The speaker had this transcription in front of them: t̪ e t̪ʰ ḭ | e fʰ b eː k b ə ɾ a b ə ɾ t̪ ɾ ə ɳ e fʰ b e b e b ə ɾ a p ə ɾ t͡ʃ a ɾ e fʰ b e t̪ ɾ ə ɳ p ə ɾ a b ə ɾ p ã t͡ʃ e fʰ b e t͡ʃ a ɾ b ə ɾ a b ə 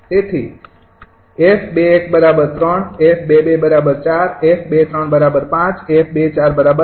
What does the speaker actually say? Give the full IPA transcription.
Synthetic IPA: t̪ e t̪ʰ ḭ | e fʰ b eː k b ə ɾ a b ə ɾ t̪ ɾ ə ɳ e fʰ b e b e b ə ɾ a b ə ɾ t͡ʃ a ɾ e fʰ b e t̪ ɾ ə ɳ b ə ɾ a b ə ɾ p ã t͡ʃ e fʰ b e t͡ʃ a ɾ b ə ɾ a b ə